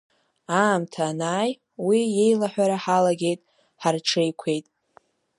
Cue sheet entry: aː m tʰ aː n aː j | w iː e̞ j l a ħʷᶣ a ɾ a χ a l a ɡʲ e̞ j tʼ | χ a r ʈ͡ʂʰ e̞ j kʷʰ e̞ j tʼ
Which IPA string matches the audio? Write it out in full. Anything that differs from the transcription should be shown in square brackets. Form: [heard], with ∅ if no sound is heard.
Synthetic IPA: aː m tʰ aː n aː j | w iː e̞ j l a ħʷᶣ a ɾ a [ħ] a l a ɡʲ e̞ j tʼ | [ħ] a r ʈ͡ʂʰ e̞ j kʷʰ e̞ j tʼ